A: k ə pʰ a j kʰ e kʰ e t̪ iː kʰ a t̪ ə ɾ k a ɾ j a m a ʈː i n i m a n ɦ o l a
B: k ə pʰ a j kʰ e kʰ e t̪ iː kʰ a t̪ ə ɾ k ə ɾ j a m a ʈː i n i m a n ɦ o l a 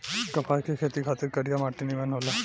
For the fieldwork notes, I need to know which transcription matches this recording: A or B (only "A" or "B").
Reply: B